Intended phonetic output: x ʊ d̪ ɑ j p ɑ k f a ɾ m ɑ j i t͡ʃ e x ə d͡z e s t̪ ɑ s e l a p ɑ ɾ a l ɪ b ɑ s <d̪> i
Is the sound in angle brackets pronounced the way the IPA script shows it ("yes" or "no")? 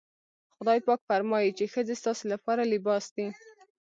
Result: yes